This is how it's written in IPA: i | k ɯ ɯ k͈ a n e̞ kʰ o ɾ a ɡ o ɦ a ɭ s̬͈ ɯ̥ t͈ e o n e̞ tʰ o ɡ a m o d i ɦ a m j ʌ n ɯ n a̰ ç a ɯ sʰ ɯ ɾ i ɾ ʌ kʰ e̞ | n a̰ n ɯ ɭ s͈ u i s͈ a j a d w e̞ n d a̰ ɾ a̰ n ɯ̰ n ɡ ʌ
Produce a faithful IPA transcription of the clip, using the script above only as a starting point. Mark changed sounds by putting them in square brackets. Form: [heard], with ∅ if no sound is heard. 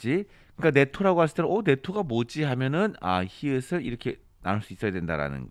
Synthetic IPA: i | k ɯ ɯ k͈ a n e̞ [tʰ] o ɾ a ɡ o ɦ a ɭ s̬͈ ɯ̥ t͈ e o n e̞ tʰ o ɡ a m o [d͡ʑ] i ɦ a m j ʌ n ɯ n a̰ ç [i] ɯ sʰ ɯ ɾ i ɾ ʌ kʰ e̞ | n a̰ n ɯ ɭ s͈ u i s͈ [ʌ] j a d w e̞ n d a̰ ɾ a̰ n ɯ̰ n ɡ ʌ